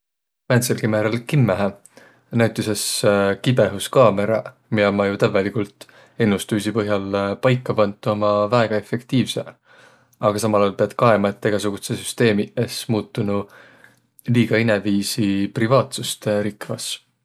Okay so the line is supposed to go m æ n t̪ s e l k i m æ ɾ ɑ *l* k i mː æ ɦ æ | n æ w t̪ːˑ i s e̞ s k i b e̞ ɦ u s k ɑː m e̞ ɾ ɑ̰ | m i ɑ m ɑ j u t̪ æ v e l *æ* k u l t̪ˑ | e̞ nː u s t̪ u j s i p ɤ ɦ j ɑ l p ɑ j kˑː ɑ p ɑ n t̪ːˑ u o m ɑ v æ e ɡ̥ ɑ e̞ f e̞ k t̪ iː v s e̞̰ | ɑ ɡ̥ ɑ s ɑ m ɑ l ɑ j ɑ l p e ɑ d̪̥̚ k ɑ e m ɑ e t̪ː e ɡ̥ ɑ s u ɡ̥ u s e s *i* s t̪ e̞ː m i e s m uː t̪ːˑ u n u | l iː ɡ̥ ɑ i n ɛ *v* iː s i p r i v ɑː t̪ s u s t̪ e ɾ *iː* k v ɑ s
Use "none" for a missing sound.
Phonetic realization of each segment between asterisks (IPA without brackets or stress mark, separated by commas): l, i, y, v, i